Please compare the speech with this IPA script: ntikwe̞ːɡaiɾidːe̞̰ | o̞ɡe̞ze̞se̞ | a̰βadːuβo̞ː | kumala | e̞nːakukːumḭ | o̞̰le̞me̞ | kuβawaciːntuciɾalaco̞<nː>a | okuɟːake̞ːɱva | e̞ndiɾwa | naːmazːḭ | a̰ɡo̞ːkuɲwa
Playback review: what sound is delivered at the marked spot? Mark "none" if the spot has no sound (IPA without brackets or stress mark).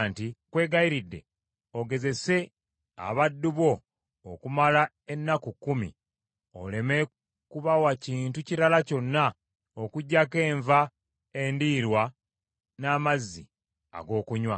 nː